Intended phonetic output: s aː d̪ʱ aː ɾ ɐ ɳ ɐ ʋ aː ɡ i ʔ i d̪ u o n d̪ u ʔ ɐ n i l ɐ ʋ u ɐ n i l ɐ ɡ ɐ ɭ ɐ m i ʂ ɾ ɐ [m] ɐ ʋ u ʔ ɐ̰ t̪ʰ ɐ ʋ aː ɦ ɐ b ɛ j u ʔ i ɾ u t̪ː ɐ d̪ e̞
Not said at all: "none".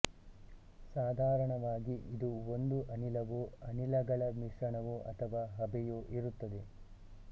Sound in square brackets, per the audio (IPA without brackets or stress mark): ɳ